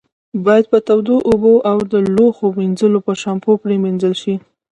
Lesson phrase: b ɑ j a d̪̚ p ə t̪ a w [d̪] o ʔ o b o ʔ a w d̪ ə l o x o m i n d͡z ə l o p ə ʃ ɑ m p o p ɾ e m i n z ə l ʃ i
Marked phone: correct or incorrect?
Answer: correct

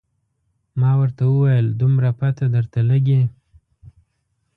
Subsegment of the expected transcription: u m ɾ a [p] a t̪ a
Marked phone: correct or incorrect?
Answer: correct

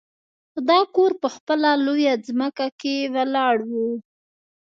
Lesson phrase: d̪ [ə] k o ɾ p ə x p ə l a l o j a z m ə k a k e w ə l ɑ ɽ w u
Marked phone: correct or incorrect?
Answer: incorrect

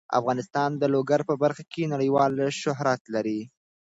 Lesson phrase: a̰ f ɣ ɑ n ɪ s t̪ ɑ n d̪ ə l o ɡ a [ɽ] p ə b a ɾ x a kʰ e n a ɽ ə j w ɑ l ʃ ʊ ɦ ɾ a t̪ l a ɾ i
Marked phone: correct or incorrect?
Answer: incorrect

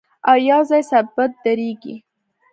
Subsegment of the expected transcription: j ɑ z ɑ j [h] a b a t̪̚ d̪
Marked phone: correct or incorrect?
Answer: incorrect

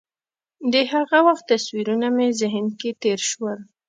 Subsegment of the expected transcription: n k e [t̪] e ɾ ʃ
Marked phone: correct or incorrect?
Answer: correct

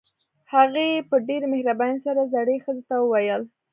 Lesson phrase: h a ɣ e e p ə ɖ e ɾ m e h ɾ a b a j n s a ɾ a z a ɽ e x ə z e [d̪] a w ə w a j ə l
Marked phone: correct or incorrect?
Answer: incorrect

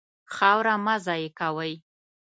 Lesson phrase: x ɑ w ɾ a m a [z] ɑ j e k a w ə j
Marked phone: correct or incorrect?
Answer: correct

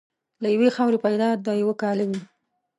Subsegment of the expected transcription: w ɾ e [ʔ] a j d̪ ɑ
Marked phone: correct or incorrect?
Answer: incorrect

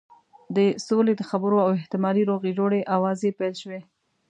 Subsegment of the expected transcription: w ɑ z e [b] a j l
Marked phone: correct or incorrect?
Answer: incorrect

